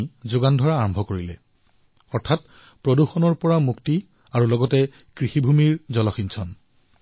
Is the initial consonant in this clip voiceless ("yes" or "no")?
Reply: no